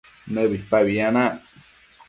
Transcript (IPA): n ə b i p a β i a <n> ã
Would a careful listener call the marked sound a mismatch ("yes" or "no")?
no